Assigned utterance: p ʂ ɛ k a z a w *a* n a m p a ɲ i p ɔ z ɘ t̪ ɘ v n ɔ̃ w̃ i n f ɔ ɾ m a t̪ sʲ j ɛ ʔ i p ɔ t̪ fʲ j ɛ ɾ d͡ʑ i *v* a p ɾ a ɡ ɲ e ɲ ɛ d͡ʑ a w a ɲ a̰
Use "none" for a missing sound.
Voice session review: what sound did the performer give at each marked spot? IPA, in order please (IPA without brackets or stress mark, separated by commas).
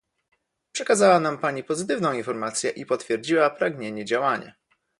a, w